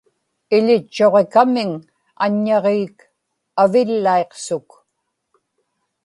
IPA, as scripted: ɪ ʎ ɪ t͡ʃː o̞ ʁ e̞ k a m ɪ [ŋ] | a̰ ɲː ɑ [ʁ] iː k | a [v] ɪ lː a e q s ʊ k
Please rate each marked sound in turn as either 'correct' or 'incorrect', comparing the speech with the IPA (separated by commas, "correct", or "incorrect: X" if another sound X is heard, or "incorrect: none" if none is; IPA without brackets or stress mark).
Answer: correct, correct, correct